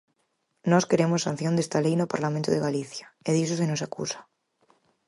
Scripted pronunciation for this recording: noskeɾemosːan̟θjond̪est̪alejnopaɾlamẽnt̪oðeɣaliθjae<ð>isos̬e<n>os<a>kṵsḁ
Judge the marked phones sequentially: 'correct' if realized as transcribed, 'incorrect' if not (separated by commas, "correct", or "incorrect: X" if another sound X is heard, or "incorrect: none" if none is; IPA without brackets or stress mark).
correct, correct, correct